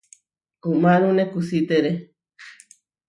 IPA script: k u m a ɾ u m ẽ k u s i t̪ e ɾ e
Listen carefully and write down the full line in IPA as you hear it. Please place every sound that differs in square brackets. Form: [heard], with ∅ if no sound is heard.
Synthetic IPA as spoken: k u m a ɾ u [n] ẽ k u s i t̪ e ɾ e